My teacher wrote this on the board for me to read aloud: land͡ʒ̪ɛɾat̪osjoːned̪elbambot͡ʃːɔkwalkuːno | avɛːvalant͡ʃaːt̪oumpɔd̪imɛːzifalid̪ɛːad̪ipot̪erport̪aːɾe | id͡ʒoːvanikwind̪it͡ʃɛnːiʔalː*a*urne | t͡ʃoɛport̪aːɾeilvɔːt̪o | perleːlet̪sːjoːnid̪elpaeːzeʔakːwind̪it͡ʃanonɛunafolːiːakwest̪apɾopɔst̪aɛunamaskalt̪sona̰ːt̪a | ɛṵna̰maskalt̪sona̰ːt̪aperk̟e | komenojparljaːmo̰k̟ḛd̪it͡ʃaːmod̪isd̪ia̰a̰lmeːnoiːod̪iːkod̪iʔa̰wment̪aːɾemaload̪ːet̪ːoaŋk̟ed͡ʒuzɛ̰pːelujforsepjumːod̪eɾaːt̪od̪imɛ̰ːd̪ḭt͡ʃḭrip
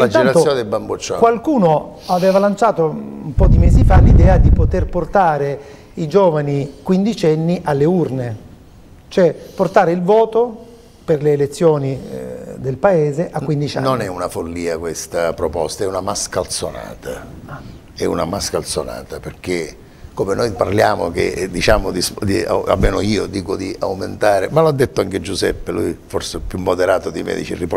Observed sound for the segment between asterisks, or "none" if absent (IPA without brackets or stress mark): e